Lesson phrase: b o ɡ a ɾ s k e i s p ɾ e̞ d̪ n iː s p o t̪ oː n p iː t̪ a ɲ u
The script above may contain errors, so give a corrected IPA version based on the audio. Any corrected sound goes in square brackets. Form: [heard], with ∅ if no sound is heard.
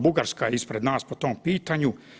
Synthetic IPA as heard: b [u] ɡ a ɾ s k [a] i s p ɾ e̞ d̪ n [aː] s p o t̪ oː [m] p iː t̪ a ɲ u